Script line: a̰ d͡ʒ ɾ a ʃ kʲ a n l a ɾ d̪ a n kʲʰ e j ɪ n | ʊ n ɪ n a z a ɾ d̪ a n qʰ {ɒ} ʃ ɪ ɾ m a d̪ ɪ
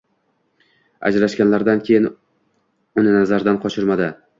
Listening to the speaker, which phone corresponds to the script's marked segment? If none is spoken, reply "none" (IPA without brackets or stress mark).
ɒ